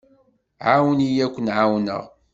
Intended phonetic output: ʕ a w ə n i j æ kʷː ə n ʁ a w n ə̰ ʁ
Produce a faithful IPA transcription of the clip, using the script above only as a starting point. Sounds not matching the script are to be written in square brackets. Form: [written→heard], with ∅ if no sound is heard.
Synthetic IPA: ʕ a w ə n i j æ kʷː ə n [ʁ→ʕ] a w n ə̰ ʁ